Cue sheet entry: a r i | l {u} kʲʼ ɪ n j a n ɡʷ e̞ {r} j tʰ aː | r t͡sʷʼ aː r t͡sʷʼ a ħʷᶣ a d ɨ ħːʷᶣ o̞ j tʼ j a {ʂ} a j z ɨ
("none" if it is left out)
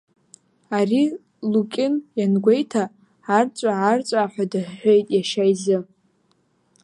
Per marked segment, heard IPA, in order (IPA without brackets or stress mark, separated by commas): u, none, ʃ